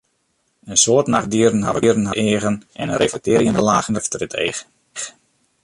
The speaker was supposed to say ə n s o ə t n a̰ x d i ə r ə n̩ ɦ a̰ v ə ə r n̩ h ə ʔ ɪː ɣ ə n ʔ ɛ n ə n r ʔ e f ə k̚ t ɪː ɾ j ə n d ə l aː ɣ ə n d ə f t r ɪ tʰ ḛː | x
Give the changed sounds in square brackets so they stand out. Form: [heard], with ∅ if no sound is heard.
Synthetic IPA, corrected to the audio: ə n s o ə t n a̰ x d i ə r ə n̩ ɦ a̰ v ə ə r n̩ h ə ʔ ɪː ɣ ə n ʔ ɛ n ə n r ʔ e f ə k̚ t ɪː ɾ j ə n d ə l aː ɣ ə n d ə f t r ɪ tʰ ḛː | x